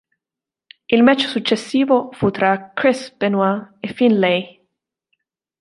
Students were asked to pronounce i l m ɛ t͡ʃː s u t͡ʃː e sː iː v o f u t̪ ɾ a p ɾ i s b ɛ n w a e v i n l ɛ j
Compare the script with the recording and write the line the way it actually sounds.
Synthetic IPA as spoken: i l m ɛ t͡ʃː s u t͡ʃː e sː iː v o f u t̪ ɾ a k ɾ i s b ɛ n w a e f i n l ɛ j